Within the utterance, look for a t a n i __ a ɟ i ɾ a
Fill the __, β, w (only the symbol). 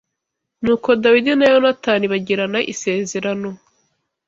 β